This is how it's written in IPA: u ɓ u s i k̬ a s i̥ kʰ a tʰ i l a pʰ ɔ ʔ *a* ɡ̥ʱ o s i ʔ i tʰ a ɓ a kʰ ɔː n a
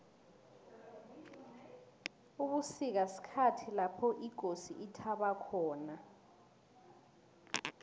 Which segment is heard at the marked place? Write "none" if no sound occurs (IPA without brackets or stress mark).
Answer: i